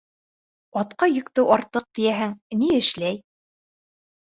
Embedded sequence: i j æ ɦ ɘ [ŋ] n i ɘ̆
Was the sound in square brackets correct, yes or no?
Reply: yes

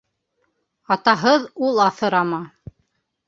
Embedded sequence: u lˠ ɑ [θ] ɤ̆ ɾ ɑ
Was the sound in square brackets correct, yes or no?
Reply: yes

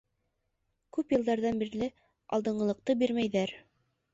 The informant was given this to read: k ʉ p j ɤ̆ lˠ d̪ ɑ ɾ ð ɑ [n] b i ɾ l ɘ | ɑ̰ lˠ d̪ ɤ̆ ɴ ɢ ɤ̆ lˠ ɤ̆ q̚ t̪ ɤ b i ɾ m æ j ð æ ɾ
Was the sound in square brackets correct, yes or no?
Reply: yes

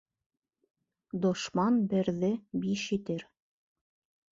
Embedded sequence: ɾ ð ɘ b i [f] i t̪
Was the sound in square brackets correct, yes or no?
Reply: no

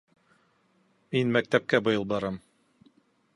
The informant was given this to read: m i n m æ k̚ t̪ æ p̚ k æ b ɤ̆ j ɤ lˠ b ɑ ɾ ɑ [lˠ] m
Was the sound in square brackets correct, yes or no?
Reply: no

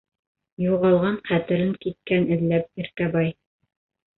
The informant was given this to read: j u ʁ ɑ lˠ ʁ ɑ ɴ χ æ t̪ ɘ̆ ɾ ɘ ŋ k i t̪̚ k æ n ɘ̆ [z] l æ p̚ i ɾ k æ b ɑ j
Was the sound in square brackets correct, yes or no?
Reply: no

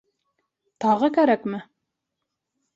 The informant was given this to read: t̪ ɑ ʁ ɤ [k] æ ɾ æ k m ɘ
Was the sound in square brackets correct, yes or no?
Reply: yes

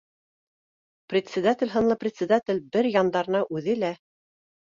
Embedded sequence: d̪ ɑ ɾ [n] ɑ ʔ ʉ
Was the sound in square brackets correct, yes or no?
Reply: yes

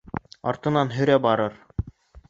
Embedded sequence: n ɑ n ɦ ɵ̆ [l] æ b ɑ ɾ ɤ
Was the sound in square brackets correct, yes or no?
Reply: no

